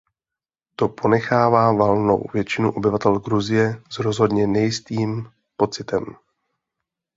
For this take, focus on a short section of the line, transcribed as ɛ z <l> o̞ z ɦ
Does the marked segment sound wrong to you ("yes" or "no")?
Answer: yes